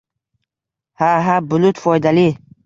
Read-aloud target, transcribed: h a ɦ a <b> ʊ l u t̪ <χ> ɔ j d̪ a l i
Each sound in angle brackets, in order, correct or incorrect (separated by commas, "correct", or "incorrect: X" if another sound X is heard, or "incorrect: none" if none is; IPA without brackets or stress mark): correct, incorrect: f